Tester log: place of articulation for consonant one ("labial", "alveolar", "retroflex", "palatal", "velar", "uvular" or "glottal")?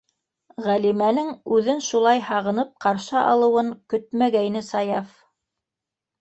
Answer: uvular